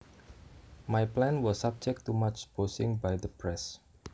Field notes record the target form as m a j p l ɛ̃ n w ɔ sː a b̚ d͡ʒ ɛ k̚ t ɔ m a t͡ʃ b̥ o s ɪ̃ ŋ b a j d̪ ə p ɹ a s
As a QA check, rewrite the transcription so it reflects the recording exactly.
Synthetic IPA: m a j p l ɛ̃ n w ɔ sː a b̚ d͡ʒ ɛ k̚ t u m a t͡ʃ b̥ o s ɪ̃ ŋ b a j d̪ ə p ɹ ɛ s